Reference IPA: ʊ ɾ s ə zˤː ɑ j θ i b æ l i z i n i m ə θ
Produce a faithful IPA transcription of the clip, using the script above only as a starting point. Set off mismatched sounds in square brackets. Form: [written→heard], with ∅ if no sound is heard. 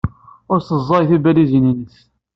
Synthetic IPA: ʊ ɾ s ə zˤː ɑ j θ i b æ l i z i n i [m→n] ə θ

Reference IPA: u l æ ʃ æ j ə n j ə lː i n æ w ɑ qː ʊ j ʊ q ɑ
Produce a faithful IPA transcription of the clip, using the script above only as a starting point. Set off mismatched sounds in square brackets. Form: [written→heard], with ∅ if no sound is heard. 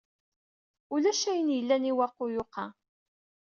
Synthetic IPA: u l æ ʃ æ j ə n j ə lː [i→æ] n [æ→i] w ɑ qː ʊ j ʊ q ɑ

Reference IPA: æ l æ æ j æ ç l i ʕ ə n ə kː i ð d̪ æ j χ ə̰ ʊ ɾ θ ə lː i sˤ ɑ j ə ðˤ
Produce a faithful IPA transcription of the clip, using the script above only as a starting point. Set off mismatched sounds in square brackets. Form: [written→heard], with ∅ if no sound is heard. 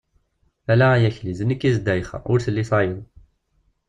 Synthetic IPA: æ l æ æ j æ ç l i [ʕ→z] ə n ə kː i [ð→z] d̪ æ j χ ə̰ ʊ ɾ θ ə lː i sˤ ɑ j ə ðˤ

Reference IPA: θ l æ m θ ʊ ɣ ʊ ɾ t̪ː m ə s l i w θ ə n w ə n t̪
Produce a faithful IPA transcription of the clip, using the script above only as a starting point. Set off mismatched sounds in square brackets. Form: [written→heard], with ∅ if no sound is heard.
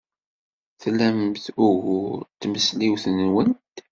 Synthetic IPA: θ l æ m θ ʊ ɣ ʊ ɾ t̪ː m ə s l i w θ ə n w ə n t̪

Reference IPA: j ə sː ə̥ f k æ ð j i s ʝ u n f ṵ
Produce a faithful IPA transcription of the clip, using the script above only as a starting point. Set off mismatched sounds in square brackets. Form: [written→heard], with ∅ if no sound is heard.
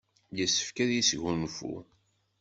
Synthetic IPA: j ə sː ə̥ f k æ ð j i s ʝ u n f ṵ

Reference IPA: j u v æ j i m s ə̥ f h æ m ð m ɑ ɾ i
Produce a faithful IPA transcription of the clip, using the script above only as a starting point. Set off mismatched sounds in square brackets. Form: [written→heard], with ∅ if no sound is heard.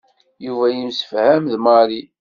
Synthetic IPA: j u v æ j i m s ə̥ f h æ m ð m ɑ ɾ i

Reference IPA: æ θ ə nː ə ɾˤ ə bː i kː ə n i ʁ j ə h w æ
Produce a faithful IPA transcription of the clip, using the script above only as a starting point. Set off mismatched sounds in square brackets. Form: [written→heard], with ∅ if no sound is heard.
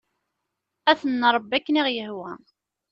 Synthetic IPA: æ θ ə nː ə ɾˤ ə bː [i→æ] kː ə n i ʁ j ə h w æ

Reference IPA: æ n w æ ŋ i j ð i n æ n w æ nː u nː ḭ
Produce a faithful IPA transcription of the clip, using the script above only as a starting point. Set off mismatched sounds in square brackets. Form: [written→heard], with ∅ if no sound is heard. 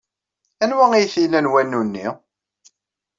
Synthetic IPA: æ n w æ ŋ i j [ð→θ] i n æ n w æ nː u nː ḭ

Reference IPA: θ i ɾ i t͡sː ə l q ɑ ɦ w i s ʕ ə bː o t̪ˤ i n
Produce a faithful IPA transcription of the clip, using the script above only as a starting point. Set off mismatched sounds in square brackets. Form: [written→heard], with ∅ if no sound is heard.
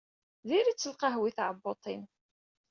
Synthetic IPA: [θ→ð] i ɾ i t͡sː ə l q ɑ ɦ w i [s→θ] ʕ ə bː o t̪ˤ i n

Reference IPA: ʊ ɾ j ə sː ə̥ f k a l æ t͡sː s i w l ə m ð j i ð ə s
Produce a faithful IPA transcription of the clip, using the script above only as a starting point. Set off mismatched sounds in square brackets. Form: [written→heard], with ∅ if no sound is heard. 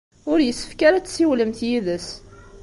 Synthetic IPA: ʊ ɾ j ə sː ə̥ f k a [l→ɾ] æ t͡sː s i w l ə m [ð→θ] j i ð ə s

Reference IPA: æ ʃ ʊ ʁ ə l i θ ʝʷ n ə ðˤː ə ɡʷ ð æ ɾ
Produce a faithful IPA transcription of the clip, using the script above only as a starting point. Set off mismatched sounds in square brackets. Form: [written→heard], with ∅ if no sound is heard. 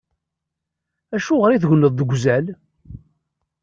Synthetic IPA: æ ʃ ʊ ʁ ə [l→ɾ] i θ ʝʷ n ə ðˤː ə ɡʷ [ð→z] æ [ɾ→l]

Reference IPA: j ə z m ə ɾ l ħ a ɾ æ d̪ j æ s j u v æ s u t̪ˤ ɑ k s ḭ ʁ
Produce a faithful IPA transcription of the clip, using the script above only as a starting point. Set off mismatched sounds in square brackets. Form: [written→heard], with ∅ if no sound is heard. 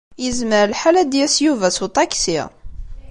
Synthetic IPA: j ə z m ə ɾ l ħ a [ɾ→l] æ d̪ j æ s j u v æ s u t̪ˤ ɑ k s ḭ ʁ

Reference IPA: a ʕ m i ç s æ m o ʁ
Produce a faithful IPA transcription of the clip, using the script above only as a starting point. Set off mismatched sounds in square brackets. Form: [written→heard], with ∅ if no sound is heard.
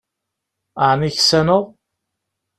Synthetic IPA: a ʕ [m→n] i ç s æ [m→n] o ʁ

